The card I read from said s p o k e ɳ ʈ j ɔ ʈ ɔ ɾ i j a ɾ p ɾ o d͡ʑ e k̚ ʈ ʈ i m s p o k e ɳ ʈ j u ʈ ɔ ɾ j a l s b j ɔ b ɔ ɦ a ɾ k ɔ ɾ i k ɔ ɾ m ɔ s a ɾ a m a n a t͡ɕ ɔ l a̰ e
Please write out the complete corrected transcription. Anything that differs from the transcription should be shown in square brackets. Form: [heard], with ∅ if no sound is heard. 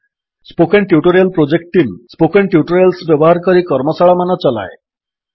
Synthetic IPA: s p o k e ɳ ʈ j [u] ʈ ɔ ɾ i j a [l] p ɾ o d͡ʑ e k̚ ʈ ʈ i m s p o k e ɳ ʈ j u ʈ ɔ ɾ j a l s b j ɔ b ɔ ɦ a ɾ k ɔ ɾ i k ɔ ɾ m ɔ s a [ɭ] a m a n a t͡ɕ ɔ l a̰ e